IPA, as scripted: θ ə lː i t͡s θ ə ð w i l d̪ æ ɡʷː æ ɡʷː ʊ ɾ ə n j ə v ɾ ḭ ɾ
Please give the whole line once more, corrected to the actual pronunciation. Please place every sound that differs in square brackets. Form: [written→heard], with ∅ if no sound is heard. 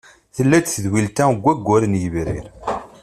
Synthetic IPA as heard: θ ə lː [i→æ] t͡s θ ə ð w i l [d̪→t̪] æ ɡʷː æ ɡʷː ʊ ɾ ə n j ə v ɾ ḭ ɾ